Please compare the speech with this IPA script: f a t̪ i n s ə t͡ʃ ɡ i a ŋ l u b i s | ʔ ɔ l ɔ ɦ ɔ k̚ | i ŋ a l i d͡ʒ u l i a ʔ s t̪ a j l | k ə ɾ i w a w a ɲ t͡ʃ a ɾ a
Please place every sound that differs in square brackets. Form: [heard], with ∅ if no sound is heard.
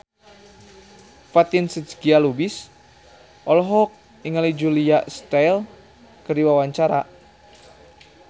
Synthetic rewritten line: f a t̪ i n s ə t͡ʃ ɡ i a [∅] l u b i s | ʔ ɔ l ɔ ɦ ɔ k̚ | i ŋ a l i d͡ʒ u l i a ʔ s t̪ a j l | k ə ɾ i w a w a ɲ t͡ʃ a ɾ a